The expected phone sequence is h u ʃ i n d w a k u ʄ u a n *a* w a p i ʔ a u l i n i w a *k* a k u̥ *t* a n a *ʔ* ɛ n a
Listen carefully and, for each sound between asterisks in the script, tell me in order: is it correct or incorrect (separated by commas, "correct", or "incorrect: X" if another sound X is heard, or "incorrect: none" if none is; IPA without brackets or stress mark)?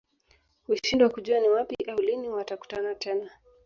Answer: incorrect: i, incorrect: t, correct, incorrect: t